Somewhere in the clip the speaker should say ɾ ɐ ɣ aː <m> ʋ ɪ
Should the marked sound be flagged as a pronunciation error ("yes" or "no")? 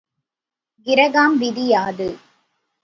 no